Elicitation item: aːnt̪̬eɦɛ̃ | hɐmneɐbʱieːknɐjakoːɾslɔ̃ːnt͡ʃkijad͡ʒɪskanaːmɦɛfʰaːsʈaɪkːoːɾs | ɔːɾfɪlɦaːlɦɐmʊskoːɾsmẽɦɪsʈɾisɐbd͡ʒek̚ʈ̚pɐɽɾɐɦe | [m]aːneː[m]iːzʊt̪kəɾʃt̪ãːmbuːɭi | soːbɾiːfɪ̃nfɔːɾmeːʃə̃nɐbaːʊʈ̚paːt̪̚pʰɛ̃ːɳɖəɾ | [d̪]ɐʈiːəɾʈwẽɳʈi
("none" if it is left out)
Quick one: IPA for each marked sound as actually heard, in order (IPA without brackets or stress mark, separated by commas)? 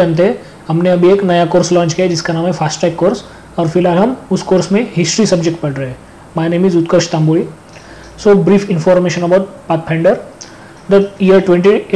m, m, d̪